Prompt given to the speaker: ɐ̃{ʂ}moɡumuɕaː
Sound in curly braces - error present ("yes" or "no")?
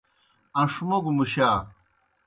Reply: no